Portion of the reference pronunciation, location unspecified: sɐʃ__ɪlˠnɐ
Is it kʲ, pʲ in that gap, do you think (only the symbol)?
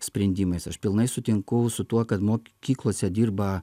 pʲ